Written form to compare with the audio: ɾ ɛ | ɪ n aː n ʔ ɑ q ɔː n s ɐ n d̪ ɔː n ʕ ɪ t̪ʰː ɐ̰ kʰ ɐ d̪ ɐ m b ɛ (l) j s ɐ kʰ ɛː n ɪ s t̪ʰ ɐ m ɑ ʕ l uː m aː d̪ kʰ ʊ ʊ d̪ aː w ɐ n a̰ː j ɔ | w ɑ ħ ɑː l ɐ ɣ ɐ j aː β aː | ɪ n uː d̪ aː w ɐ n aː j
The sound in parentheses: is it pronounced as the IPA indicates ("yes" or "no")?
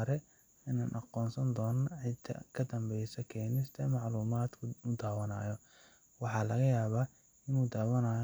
no